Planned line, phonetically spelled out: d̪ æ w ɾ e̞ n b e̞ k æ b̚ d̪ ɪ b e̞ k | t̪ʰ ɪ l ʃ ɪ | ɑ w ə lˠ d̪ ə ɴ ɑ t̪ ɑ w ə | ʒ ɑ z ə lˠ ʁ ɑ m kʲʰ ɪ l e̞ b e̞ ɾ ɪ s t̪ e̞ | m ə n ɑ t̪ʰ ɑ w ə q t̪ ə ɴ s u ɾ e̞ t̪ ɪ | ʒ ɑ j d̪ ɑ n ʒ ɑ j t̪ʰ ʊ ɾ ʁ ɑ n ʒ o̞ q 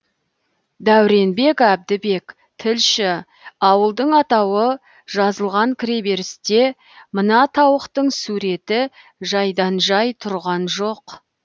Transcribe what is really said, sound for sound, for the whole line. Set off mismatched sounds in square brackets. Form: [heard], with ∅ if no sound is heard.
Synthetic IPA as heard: d̪ æ w ɾ e̞ n b e̞ k æ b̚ d̪ ɪ b e̞ k | t̪ʰ ɪ l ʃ ɪ | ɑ w ə lˠ d̪ ə ɴ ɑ t̪ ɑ w ə | ʒ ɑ z ə lˠ ʁ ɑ [ŋ] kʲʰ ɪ [ɾ] e̞ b e̞ ɾ ɪ s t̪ e̞ | m ə n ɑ t̪ʰ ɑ w ə q t̪ ə ɴ s u ɾ e̞ t̪ ɪ | ʒ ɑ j d̪ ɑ n ʒ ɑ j t̪ʰ ʊ ɾ ʁ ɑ n ʒ o̞ q